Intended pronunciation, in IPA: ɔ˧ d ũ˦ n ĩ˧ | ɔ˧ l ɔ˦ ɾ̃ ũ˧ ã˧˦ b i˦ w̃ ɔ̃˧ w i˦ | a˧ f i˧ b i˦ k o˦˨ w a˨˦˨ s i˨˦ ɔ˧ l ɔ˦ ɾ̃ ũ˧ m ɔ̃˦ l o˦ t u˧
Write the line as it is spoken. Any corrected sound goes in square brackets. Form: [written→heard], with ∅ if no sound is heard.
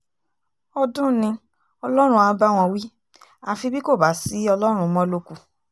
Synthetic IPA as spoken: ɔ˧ d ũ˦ n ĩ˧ | ɔ˧ l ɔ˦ ɾ̃ ũ˧ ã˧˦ b [i˦→a˦] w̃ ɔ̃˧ w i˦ | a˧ f i˧ b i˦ k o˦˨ [w→b] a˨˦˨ s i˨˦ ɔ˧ l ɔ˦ ɾ̃ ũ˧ m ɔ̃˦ l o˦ [t→k] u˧